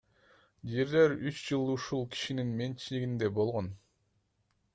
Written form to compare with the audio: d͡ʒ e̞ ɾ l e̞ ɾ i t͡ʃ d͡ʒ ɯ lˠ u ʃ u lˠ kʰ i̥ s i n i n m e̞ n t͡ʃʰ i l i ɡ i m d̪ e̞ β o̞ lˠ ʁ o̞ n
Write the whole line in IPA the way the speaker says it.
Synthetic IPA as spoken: d͡ʒ e̞ ɾ l e̞ ɾ y t͡ʃ d͡ʒ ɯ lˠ u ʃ u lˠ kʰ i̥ ʃ i n i n m e̞ n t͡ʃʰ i l i ɡ i n d̪ e̞ b o̞ lˠ ʁ o̞ n

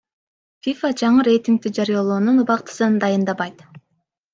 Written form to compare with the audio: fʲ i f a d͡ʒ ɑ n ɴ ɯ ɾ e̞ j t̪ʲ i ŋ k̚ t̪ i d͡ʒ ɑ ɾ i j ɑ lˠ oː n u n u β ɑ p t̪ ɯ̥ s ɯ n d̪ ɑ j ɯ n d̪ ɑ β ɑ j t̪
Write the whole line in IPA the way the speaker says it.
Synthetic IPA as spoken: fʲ i f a d͡ʒ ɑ ɴ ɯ ɾ e̞ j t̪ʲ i ŋ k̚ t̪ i d͡ʒ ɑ ɾ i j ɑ lˠ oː n u n u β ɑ q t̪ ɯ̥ s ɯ n d̪ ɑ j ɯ n d̪ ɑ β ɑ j t̪

